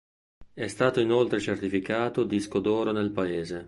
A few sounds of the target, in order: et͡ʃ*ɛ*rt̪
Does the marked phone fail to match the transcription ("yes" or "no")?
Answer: yes